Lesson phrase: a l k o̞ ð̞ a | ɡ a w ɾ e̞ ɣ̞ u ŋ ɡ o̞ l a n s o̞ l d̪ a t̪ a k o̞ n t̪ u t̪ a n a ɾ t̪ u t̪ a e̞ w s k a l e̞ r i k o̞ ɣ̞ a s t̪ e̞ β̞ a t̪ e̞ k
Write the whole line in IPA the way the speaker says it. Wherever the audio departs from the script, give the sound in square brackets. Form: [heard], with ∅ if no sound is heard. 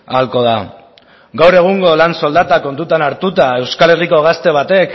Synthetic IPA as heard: a l k o̞ ð̞ a | ɡ a w ɾ e̞ ɣ̞ u ŋ ɡ o̞ l a n s o̞ l d̪ a t̪ a k o̞ n t̪ u t̪ a n a ɾ t̪ u t̪ a e̞ w s k a l e̞ r i k o̞ ɣ̞ a s t̪ e̞ β̞ a t̪ e̞ k